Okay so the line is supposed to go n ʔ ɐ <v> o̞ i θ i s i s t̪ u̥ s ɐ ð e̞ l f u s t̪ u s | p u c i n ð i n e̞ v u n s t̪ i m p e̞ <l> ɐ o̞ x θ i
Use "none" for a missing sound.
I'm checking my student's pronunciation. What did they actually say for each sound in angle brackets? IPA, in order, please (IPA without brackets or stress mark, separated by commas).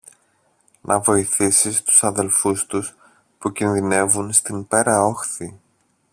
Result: v, ɾ